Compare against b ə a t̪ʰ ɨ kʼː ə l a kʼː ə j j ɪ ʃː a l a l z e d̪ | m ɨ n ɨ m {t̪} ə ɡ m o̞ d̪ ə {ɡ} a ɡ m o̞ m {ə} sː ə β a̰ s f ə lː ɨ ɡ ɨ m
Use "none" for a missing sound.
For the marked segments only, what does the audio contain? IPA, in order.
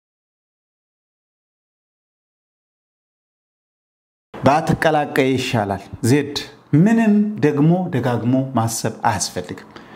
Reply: d̪, ɡ, a

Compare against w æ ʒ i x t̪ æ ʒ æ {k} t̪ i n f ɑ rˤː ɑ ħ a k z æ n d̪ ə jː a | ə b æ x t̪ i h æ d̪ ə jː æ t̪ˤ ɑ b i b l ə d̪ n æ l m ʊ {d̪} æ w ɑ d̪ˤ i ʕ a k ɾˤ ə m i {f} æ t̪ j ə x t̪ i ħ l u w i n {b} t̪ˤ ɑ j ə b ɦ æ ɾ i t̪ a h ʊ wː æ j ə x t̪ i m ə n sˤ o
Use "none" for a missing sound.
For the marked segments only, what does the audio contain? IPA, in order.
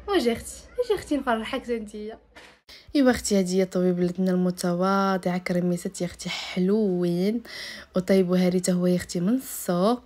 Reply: x, t̪, s, w

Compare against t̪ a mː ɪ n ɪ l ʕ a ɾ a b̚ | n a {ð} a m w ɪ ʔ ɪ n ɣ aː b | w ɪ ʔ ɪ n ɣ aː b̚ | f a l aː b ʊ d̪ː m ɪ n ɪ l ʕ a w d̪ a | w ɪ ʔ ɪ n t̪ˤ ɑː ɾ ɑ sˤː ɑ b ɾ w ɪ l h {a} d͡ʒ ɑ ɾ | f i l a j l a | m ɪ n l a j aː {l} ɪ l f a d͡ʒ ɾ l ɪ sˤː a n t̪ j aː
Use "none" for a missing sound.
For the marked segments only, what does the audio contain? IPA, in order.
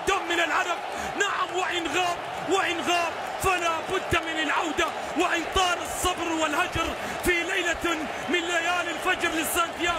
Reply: ʕ, a, l

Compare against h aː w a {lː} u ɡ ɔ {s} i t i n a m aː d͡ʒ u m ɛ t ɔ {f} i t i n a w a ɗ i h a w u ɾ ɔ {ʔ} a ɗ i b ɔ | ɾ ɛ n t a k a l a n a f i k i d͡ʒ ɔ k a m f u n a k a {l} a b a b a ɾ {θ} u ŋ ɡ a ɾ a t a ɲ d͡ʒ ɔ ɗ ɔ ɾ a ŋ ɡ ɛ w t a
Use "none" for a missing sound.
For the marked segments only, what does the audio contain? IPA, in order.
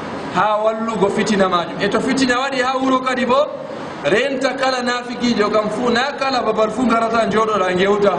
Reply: lː, f, f, k, l, f

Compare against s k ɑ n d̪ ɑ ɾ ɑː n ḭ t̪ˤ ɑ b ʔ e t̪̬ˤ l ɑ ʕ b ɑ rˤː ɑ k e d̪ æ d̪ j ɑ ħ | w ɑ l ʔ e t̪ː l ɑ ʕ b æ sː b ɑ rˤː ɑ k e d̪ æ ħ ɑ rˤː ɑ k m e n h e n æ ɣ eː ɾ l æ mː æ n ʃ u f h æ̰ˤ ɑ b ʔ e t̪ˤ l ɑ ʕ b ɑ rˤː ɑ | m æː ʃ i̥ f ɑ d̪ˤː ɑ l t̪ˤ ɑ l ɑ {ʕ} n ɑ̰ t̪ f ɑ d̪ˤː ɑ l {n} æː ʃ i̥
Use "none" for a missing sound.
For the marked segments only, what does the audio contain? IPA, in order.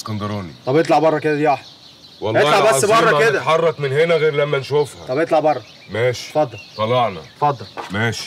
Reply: ʕ, m

